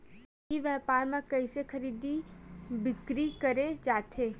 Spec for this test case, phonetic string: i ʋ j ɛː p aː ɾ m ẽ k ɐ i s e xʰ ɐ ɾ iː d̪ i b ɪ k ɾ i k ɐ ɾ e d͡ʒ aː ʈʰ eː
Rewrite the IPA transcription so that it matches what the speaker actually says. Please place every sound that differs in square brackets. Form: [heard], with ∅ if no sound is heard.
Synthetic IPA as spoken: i ʋ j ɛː p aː ɾ m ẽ k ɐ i s e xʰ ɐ ɾ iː d̪ i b ɪ k ɾ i k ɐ ɾ e d͡ʒ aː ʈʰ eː